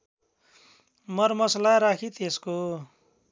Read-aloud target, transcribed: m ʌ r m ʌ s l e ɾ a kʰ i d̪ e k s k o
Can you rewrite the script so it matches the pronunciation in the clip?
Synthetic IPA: m ʌ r m ʌ s l a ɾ a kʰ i t̪ e s k o